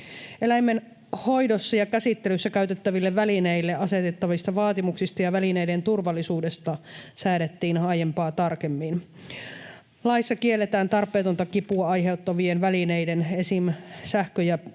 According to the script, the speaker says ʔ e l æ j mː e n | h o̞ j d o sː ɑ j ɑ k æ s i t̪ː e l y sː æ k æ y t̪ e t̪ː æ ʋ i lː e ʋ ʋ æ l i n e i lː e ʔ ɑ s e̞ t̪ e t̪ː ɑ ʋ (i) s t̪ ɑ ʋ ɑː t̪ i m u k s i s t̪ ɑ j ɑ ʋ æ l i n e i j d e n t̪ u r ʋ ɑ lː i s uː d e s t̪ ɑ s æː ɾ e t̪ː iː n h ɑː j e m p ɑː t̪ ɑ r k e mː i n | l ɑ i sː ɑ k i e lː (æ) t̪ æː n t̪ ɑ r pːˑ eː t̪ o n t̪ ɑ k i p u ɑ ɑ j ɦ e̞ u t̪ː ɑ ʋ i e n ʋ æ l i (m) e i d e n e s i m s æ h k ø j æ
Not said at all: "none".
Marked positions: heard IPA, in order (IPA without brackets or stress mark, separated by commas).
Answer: i, e, n